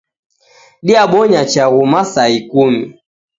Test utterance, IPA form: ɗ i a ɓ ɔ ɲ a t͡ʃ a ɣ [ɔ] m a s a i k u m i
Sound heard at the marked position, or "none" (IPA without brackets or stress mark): u